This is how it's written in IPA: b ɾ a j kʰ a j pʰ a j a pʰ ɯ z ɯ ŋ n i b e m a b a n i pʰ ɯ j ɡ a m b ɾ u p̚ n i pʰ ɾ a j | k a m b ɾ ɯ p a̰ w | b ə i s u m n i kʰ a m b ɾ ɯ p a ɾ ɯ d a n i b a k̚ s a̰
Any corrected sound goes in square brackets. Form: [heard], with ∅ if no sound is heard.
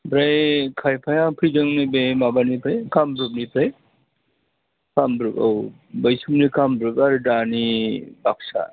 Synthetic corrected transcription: b ɾ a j kʰ a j pʰ a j a pʰ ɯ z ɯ ŋ n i b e m a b a n i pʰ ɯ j [k] a m b ɾ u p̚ n i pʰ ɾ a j | k a m b ɾ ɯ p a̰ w | b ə [j] s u m n i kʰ a m b ɾ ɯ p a ɾ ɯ d a n i b a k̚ s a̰